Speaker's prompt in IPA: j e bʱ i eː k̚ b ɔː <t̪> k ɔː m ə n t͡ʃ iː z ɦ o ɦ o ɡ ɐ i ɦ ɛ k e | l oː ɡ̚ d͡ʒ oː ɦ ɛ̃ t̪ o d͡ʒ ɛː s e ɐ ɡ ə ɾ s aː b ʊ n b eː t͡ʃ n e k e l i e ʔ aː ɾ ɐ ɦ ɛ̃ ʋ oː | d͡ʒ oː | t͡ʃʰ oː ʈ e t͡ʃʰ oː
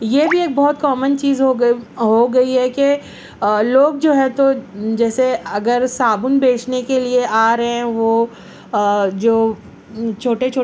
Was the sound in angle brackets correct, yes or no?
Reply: yes